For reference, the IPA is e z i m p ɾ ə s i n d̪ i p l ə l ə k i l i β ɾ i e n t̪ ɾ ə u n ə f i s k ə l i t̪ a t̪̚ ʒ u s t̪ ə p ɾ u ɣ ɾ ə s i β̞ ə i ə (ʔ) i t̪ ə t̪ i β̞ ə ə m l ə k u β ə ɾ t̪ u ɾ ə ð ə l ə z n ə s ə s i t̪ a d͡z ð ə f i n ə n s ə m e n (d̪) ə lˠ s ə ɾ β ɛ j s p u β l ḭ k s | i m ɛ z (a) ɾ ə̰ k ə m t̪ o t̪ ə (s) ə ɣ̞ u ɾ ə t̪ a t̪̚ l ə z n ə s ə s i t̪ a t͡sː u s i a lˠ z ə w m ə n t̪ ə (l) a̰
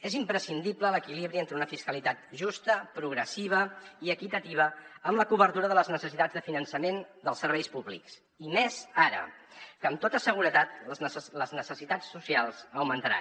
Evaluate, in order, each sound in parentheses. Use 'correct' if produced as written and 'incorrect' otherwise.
incorrect, correct, correct, correct, incorrect

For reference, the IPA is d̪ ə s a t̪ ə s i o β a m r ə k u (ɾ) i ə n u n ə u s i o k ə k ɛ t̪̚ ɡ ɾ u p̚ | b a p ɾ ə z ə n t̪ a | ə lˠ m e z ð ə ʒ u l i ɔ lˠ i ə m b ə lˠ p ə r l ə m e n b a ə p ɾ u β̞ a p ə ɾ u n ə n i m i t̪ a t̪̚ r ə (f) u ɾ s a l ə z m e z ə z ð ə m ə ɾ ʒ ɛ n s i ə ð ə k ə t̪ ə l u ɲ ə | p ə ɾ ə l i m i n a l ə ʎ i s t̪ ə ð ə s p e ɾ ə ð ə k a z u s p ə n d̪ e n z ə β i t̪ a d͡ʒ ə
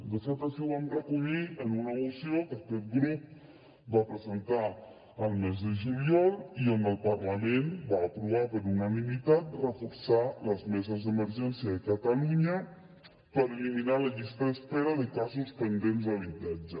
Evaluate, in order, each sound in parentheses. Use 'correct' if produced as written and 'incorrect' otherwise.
incorrect, correct

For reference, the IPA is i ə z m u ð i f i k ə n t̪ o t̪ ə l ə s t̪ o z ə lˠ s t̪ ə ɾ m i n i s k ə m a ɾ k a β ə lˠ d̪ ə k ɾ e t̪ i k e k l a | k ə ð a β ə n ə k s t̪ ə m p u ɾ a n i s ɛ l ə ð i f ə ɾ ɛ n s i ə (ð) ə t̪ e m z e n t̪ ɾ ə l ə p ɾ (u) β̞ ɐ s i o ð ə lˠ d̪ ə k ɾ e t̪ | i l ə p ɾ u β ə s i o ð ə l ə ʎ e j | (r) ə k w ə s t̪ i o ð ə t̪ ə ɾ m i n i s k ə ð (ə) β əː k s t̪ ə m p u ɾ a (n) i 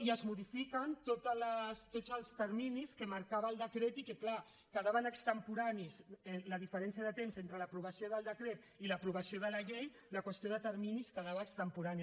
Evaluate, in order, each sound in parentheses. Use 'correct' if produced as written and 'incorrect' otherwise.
correct, correct, incorrect, incorrect, correct

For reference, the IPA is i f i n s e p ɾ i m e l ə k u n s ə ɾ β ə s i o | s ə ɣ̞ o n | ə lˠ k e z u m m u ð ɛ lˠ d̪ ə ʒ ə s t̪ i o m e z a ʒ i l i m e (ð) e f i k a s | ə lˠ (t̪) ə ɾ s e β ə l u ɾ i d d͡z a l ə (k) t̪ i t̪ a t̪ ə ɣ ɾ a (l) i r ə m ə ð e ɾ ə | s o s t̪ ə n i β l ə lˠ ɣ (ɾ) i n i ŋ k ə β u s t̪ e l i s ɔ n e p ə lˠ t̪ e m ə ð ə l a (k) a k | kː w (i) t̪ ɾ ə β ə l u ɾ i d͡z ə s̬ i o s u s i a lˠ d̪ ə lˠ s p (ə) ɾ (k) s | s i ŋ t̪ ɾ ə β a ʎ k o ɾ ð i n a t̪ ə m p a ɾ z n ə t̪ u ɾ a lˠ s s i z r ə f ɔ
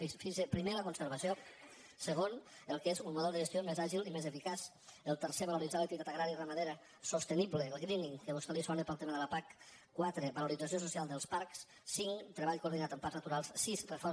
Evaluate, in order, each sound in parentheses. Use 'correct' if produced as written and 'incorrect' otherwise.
incorrect, correct, correct, incorrect, correct, incorrect, incorrect, incorrect, correct

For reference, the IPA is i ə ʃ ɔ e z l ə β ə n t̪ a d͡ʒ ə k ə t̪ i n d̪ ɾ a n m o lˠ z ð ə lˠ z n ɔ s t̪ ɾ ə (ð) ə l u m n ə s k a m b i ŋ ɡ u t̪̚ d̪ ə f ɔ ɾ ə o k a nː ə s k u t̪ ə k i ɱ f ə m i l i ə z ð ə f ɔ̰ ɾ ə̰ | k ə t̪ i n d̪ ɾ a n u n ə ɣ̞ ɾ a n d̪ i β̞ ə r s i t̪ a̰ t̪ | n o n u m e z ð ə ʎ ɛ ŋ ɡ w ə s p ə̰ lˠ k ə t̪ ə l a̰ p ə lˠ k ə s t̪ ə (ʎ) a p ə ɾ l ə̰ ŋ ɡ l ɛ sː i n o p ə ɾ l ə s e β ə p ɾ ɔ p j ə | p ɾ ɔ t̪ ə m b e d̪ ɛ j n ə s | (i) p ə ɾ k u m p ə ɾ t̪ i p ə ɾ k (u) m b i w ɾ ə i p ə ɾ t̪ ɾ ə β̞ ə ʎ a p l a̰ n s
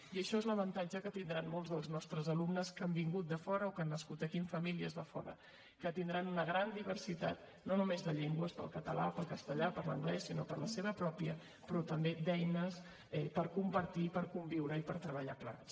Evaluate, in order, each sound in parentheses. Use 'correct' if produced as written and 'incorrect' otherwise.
incorrect, correct, incorrect, correct

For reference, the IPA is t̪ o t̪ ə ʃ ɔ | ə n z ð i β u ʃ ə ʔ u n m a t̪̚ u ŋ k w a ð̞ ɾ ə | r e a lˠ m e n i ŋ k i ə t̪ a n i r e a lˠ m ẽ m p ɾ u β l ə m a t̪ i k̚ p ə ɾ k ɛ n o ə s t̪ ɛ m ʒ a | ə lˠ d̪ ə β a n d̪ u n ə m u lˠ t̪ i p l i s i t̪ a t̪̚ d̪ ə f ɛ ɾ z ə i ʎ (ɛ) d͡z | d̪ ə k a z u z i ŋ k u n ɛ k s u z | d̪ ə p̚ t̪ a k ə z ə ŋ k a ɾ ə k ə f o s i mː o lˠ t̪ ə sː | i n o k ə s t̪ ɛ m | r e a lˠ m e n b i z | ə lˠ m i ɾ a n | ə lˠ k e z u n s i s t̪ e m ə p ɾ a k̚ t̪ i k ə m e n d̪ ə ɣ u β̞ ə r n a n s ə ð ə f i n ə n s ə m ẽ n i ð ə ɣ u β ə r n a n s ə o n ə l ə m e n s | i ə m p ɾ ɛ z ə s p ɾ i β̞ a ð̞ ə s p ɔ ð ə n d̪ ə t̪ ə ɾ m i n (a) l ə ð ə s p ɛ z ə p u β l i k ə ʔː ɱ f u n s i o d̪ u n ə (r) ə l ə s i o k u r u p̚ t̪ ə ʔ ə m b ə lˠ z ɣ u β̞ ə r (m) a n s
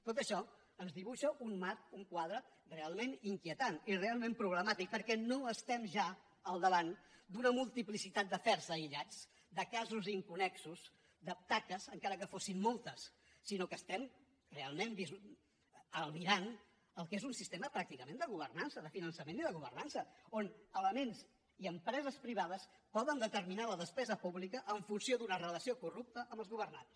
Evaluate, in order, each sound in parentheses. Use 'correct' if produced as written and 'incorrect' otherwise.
incorrect, correct, correct, incorrect

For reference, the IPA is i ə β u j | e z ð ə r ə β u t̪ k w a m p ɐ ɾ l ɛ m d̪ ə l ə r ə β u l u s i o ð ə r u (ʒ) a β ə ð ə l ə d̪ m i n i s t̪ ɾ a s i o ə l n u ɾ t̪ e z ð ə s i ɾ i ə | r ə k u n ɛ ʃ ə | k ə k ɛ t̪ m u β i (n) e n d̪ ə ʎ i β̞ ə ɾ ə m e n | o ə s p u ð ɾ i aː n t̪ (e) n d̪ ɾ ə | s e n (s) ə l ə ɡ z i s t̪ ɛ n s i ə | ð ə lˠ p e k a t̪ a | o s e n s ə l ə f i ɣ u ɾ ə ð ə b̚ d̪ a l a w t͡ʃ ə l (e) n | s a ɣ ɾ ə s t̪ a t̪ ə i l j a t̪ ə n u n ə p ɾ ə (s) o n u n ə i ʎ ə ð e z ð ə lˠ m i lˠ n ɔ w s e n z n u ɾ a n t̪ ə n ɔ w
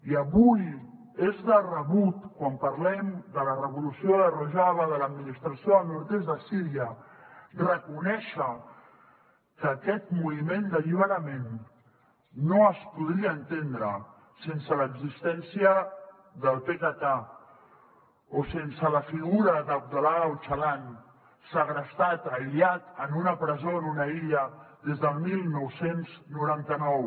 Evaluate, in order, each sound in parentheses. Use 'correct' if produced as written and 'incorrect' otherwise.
correct, incorrect, correct, correct, incorrect, incorrect

